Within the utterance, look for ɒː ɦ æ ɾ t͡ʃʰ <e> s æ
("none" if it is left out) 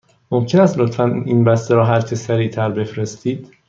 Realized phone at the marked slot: e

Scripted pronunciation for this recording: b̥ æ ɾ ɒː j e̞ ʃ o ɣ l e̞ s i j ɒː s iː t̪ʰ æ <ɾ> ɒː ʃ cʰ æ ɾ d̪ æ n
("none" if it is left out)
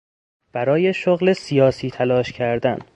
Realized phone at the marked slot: l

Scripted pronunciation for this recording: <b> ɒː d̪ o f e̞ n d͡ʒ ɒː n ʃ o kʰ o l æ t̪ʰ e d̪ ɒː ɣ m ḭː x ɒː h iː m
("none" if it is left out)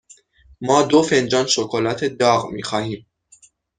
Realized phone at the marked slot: m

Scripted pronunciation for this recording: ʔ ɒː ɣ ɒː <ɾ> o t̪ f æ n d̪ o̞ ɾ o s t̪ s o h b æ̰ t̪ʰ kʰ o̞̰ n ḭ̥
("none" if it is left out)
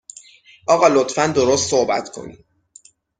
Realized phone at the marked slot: l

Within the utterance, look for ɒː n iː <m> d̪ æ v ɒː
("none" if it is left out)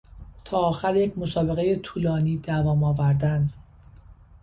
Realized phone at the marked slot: none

